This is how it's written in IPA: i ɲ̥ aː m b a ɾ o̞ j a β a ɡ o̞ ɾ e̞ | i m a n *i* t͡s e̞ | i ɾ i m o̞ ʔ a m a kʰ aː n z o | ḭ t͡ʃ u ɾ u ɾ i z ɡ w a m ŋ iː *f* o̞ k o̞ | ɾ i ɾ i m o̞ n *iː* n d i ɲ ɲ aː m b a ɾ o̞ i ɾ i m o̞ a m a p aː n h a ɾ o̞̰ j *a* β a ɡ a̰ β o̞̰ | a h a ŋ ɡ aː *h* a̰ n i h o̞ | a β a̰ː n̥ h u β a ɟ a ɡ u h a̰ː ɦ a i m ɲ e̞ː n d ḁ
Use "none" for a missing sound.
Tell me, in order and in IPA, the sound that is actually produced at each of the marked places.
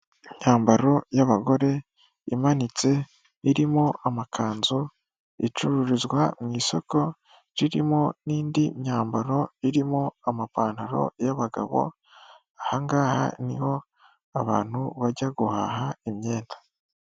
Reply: i, s, iː, a, h

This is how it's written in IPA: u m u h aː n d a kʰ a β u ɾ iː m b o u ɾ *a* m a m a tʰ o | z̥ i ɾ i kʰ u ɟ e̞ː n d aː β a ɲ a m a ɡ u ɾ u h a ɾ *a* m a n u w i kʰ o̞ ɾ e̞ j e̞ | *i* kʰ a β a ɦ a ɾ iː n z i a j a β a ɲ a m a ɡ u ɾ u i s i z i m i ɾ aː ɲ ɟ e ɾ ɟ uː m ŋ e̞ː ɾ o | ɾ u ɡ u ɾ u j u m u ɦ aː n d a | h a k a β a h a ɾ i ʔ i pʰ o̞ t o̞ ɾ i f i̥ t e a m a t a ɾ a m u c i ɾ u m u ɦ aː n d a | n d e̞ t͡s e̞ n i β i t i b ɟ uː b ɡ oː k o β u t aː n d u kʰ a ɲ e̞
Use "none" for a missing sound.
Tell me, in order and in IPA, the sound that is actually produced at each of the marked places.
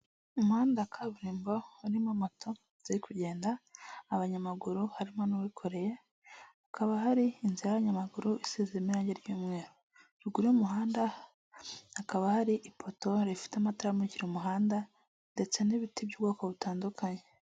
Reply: i, i, a

